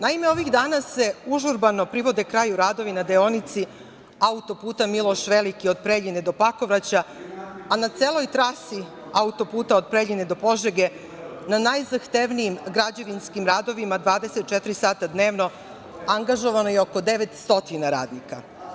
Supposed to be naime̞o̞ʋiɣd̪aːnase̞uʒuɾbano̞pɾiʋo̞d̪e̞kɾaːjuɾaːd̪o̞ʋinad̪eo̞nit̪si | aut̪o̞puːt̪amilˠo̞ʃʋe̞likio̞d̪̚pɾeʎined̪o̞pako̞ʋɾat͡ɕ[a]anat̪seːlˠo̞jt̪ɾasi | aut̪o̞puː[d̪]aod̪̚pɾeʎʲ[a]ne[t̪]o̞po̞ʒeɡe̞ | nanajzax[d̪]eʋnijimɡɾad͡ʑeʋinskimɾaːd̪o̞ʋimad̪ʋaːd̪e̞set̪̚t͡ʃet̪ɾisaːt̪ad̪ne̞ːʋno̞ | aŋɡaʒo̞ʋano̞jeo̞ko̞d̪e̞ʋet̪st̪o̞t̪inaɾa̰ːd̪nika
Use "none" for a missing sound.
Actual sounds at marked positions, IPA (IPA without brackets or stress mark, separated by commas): a, t̪, i, d̪, t̪